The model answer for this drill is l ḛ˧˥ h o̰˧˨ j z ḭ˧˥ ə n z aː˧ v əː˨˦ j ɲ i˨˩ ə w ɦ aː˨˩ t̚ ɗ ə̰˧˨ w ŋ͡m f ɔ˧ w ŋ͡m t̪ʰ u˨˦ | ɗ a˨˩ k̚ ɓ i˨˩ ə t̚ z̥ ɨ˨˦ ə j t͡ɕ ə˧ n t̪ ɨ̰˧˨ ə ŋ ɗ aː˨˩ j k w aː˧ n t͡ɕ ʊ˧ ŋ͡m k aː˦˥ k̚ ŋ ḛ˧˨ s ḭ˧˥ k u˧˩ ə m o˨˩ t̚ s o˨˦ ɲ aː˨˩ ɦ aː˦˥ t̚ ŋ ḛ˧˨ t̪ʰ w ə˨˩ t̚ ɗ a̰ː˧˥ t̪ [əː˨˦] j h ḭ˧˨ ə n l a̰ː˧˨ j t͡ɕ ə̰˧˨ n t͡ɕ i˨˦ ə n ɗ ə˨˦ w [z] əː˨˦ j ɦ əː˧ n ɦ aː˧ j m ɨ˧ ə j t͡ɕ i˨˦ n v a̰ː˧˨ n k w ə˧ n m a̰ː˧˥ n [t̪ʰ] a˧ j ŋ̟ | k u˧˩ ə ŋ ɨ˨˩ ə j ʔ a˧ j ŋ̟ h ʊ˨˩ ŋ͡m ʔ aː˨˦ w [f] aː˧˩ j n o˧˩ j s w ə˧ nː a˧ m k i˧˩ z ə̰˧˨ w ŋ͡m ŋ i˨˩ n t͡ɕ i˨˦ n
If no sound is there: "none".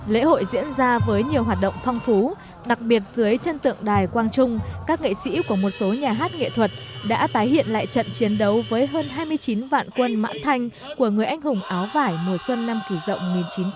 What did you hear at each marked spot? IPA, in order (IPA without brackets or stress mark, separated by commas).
aː˨˦, v, t̪ʰ, v